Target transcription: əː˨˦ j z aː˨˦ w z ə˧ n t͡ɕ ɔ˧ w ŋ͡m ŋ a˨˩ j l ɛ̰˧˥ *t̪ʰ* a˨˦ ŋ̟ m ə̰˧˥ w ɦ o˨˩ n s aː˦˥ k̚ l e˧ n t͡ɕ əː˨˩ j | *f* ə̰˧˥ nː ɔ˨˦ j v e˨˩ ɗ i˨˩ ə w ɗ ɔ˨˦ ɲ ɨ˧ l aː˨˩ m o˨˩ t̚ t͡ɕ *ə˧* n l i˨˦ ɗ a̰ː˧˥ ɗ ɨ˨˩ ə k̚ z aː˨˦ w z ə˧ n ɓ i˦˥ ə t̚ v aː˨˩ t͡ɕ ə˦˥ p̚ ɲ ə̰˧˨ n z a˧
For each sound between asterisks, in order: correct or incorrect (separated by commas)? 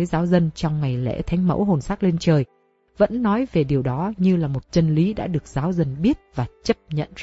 correct, incorrect, correct